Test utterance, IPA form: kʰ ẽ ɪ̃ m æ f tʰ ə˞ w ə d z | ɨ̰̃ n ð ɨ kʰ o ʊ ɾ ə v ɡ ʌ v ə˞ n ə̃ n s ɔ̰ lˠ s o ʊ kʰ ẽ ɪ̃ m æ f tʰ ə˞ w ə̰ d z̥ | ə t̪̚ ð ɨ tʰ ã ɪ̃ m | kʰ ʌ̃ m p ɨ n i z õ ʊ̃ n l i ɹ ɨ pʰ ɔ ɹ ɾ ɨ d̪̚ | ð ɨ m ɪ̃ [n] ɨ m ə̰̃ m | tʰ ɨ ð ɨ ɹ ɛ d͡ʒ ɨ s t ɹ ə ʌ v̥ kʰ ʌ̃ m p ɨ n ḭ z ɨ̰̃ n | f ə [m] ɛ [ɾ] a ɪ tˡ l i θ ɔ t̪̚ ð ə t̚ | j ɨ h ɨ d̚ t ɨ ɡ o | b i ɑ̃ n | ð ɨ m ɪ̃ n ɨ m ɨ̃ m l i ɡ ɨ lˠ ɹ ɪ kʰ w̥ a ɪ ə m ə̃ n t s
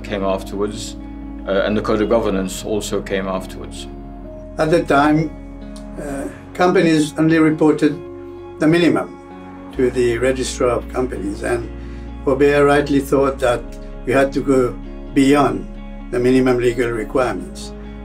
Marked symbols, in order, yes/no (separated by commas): yes, no, no